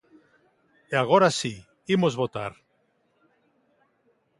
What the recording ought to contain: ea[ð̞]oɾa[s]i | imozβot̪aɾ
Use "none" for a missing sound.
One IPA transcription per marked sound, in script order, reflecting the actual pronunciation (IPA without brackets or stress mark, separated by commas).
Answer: ɣ̞, s